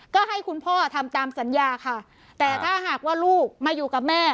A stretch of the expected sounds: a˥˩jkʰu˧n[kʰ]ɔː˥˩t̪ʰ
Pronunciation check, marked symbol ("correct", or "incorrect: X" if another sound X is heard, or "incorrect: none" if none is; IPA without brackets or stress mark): incorrect: pʰ